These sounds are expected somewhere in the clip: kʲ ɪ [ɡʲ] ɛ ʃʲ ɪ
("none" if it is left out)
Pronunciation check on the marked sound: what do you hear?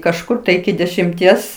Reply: dʲ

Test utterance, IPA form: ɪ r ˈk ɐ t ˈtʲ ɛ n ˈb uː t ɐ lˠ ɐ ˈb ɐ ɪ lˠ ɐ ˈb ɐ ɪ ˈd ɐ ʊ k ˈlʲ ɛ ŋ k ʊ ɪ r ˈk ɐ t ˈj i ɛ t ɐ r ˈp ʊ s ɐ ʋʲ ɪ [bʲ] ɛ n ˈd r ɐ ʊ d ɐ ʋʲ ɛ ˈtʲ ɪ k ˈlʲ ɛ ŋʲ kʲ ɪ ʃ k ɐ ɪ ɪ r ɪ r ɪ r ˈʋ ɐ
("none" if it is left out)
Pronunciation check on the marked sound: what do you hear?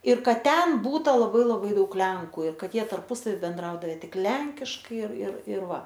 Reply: bʲ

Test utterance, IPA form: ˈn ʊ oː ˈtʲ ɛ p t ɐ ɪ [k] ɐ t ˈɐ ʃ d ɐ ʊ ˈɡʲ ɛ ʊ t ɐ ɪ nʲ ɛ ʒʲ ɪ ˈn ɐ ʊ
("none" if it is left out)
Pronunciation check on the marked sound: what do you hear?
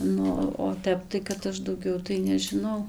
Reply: k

